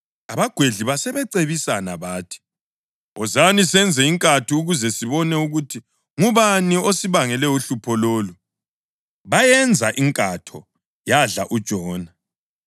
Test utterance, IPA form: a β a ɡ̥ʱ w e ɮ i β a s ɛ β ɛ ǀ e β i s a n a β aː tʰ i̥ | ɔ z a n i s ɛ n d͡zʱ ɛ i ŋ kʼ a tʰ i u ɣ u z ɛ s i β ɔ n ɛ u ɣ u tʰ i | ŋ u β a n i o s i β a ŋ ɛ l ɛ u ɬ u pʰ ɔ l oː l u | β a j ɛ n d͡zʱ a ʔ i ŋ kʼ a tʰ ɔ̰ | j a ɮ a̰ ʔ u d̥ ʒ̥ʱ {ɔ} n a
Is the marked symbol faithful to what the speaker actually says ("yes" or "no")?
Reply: no